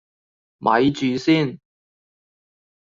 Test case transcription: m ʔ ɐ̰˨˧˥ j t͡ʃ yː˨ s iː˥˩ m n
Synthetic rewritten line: m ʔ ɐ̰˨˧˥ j t͡ʃ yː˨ s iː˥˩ n